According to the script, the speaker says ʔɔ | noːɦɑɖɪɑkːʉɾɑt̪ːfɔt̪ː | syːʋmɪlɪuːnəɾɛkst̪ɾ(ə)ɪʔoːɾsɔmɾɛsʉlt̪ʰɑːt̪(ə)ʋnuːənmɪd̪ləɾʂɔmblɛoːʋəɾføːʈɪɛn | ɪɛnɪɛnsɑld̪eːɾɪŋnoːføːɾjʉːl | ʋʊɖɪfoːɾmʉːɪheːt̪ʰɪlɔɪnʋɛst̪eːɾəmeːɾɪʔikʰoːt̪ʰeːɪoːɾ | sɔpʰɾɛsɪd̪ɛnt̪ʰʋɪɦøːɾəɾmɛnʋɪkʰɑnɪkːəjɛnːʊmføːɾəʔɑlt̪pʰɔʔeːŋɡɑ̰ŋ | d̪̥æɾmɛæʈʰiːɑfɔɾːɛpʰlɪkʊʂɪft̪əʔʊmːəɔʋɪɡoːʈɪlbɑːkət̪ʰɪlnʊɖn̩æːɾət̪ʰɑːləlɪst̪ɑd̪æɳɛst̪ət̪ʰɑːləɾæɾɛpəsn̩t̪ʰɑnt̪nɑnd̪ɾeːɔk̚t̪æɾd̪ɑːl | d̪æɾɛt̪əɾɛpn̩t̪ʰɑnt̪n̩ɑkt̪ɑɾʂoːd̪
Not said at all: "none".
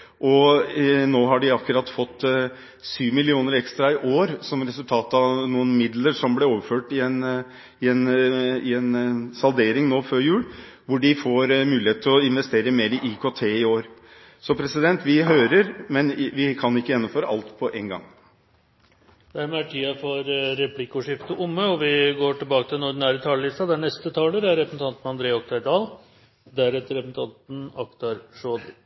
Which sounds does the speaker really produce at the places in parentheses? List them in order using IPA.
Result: ɑ, ɑ

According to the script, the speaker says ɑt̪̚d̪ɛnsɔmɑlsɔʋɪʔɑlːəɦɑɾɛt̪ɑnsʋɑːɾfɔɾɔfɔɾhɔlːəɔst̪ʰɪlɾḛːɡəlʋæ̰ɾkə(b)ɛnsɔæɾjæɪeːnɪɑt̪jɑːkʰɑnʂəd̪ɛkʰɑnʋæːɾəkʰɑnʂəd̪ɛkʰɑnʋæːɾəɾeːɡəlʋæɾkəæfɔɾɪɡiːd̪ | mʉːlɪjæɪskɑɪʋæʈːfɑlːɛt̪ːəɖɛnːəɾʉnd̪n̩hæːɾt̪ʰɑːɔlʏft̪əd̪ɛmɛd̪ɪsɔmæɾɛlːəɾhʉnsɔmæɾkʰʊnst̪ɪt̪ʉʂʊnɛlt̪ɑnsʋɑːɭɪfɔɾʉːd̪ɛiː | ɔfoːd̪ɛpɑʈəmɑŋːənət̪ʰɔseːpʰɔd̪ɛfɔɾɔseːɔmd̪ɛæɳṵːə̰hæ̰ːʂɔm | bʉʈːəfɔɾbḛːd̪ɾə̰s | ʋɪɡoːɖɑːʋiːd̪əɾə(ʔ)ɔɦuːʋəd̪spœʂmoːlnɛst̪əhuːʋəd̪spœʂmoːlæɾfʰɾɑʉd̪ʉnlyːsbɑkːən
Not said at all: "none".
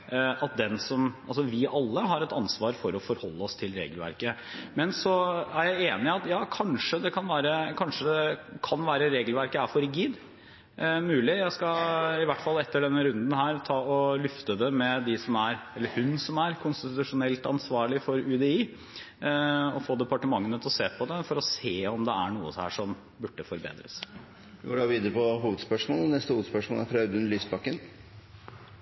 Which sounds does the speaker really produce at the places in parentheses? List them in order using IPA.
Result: m, p

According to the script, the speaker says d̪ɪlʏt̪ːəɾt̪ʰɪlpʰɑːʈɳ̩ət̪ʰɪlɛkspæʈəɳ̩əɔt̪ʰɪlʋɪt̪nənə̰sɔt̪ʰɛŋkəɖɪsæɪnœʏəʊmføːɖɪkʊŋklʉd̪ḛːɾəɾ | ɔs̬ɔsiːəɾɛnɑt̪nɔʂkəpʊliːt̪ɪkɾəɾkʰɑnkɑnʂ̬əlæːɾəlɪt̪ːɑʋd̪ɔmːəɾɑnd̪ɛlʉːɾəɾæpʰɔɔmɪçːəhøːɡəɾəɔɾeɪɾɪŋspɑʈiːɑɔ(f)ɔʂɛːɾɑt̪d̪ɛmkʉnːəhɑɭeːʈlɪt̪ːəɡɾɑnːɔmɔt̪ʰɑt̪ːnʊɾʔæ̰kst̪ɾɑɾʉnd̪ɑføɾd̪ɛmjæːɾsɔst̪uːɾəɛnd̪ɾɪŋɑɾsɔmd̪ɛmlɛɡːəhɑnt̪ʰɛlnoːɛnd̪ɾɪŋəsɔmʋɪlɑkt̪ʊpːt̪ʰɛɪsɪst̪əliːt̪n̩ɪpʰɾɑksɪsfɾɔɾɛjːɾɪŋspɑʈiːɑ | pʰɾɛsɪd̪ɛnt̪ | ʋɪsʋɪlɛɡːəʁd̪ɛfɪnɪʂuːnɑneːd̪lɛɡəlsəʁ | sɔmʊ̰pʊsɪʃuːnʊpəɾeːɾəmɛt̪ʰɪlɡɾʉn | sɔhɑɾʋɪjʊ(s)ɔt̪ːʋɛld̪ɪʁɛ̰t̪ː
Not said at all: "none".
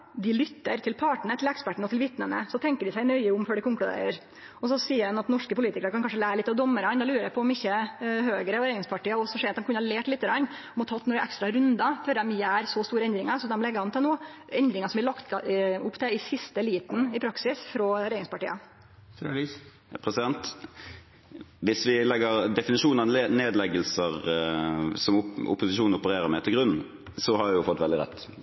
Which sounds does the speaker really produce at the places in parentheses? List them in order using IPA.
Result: s, f

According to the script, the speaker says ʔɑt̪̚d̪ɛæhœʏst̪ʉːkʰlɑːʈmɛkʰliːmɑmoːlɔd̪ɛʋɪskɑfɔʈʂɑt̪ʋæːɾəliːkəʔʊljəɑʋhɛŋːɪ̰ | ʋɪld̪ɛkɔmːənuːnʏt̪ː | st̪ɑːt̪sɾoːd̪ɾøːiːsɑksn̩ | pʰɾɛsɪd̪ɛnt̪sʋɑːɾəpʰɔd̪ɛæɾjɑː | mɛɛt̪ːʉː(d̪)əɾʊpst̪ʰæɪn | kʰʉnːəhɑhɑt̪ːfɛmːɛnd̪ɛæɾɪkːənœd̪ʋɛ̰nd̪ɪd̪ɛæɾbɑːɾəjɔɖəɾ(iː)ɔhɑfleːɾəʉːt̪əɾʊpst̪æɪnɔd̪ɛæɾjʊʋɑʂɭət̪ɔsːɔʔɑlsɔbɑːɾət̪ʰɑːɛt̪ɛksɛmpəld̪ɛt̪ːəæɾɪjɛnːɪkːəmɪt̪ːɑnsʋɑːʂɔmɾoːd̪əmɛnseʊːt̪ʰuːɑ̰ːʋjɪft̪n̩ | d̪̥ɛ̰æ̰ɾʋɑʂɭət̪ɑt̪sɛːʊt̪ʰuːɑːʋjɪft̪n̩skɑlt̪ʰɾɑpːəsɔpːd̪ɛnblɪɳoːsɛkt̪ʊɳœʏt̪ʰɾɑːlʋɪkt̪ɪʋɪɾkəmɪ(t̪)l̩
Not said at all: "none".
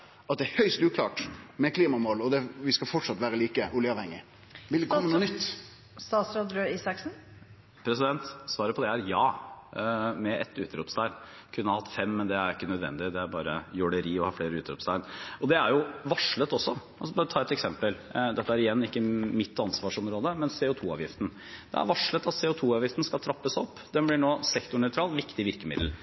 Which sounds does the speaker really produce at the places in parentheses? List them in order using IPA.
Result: t̪, iː, d̪

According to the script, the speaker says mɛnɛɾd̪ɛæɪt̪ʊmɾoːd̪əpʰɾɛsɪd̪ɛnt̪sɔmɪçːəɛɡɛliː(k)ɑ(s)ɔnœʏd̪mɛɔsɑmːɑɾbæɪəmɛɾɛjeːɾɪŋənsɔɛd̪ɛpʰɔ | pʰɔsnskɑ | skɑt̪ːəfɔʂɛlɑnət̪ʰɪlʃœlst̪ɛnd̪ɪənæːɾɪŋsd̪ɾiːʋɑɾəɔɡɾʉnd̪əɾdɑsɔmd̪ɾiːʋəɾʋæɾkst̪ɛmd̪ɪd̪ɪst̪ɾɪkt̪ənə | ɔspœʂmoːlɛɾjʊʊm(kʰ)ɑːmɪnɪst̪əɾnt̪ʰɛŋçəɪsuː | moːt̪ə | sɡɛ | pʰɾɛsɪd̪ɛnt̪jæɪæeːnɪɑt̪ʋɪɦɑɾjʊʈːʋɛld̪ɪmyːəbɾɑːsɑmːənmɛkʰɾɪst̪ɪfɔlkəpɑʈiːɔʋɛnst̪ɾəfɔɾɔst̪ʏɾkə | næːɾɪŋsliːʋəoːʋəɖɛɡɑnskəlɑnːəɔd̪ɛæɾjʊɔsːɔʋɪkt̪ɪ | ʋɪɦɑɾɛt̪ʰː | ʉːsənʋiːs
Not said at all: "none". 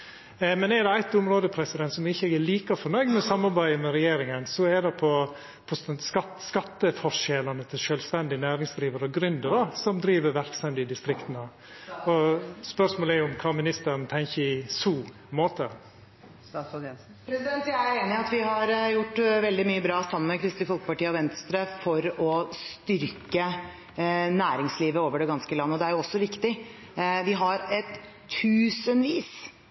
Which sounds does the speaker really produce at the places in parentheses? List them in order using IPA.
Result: k, f, kʰ

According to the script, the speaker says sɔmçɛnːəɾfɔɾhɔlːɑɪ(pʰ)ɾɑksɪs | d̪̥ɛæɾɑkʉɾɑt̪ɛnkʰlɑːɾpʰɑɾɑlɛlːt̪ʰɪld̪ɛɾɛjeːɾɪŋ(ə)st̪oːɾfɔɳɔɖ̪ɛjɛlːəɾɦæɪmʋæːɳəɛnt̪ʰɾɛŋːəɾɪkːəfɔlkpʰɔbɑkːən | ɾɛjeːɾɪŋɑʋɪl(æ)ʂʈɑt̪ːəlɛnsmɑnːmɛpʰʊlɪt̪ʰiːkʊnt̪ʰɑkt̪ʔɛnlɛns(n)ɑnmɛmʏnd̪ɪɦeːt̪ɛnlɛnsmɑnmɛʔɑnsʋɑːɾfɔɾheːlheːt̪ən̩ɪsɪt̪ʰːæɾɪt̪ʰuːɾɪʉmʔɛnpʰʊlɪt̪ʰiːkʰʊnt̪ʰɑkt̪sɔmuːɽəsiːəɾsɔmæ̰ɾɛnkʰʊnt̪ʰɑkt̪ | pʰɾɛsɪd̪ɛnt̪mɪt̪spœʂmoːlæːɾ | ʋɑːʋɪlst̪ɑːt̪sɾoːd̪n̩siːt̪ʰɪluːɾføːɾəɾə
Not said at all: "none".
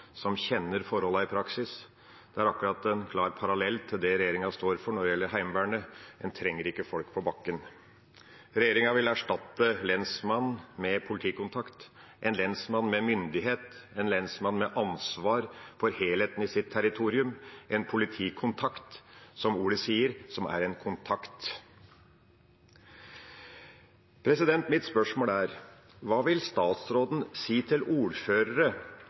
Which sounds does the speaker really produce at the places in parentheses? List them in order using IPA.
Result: pʰ, ɑ, æ, m

